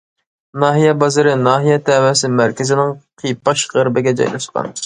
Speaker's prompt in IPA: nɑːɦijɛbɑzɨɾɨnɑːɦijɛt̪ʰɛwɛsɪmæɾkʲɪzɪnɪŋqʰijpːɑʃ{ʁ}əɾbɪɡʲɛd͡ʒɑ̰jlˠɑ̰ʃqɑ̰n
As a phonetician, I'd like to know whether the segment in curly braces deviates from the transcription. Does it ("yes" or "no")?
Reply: no